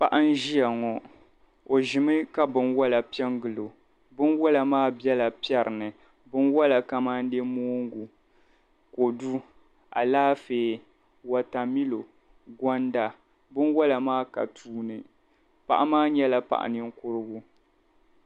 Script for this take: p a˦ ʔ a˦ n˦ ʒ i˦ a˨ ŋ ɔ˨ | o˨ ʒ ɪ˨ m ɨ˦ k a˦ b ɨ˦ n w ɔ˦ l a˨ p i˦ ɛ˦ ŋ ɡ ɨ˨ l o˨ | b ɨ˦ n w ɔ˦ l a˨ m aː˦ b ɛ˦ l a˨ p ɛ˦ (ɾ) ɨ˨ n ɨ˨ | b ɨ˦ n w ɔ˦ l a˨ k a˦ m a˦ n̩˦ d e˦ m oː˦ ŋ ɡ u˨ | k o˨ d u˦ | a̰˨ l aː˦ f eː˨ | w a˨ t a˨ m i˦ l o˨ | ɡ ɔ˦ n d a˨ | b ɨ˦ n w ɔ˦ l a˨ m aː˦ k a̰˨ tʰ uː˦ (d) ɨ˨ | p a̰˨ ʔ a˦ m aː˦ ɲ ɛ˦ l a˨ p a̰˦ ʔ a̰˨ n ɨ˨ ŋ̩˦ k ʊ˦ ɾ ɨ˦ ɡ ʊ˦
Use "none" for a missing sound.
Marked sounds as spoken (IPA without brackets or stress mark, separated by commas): ɾ, n